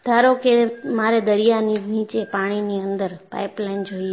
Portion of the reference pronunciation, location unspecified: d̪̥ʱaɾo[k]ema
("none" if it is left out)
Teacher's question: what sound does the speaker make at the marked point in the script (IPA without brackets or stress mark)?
k